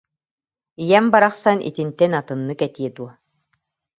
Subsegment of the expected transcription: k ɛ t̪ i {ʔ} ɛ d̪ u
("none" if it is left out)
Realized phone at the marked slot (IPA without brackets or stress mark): none